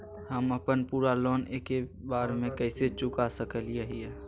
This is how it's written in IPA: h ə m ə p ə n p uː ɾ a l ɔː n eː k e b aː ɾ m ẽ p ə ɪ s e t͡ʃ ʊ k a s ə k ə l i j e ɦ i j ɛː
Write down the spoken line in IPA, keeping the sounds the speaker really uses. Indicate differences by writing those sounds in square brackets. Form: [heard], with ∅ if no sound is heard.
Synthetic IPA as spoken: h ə m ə p ə n p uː ɾ a l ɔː n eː k e b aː ɾ m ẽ [k] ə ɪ s e t͡ʃ ʊ k a s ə k ə l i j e ɦ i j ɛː